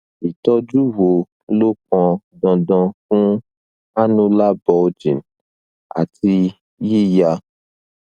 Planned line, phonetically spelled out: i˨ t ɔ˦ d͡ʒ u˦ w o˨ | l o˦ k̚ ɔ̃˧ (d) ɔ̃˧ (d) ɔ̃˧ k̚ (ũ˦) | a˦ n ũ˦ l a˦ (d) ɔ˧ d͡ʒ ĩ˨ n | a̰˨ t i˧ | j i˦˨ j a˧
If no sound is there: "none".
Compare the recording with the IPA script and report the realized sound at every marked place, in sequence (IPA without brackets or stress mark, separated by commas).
d, d, ũ˦, b